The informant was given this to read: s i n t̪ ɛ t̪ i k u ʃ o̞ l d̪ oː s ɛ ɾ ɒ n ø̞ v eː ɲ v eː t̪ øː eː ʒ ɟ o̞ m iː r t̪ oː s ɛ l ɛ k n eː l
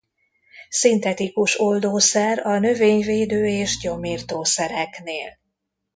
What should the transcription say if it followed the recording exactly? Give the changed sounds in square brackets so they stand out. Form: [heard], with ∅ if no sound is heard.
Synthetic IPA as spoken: s i n t̪ ɛ t̪ i k u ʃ o̞ l d̪ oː s ɛ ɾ ɒ n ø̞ v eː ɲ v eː [d̪] øː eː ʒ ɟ o̞ m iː r t̪ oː s ɛ [ɾ] ɛ k n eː l